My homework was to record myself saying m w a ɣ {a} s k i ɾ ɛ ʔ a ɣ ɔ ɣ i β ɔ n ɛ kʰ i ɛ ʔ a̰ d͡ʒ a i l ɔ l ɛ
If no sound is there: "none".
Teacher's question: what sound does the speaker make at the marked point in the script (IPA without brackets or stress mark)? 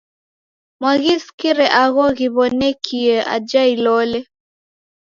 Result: i